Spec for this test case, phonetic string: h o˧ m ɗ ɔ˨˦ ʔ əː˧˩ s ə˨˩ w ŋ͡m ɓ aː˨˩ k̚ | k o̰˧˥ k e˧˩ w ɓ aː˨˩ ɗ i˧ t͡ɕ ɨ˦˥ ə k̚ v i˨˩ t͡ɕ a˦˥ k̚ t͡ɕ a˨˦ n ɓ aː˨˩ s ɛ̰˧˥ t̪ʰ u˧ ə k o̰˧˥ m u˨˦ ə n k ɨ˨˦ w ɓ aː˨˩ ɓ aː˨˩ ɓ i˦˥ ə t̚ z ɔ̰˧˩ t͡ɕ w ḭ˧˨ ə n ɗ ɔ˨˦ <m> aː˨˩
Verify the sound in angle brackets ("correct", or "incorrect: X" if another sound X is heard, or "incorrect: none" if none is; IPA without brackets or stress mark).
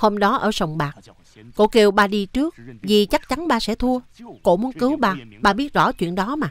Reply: correct